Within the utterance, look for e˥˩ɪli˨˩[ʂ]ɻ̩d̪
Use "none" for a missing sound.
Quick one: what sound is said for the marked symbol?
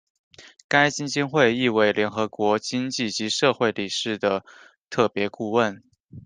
ʂ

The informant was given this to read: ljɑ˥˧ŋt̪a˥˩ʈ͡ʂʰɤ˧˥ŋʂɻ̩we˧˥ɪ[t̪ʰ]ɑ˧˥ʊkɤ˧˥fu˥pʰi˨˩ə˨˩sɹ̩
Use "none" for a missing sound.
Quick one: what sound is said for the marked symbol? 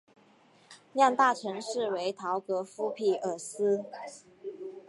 t̪ʰ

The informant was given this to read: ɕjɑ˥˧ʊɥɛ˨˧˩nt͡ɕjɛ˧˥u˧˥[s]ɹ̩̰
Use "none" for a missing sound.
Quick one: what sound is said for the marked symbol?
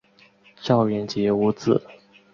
t͡s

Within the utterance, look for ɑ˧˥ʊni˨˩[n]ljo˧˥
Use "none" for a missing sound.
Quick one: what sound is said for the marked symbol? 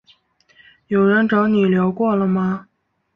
none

